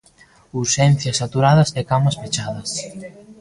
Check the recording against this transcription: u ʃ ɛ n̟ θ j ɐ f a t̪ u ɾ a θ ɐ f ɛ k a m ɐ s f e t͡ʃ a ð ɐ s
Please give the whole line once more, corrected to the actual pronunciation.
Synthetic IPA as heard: u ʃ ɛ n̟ θ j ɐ s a t̪ u ɾ a ð ɐ s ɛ k a m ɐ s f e t͡ʃ a ð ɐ s